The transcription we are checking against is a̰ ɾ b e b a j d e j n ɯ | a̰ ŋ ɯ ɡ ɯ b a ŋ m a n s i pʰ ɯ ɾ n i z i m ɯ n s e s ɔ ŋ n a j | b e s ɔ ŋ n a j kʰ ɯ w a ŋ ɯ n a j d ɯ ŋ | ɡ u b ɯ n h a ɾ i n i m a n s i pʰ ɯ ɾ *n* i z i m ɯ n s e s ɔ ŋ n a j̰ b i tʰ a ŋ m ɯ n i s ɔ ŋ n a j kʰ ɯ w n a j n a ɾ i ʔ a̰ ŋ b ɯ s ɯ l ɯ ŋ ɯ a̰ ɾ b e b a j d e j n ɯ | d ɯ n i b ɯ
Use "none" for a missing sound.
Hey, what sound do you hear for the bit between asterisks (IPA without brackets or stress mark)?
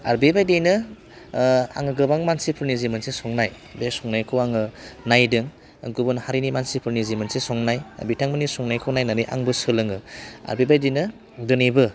n